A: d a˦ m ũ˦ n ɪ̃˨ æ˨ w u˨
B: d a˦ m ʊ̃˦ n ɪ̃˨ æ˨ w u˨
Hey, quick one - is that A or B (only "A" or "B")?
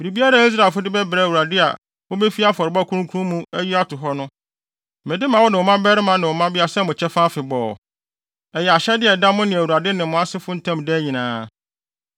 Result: B